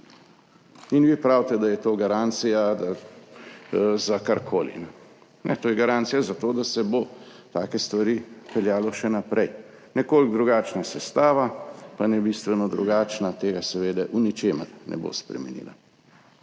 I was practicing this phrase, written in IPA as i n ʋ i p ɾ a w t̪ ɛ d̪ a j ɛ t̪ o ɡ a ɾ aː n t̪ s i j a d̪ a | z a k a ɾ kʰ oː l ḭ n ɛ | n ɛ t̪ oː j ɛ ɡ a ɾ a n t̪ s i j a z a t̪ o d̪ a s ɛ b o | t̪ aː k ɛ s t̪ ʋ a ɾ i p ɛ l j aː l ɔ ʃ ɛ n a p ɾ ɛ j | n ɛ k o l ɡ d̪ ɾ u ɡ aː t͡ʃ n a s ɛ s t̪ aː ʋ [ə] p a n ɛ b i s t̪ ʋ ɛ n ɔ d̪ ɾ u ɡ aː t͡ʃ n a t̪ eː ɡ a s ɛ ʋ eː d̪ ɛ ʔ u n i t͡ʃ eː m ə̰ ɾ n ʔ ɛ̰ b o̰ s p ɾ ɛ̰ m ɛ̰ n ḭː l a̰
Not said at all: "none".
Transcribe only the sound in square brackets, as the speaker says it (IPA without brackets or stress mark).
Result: a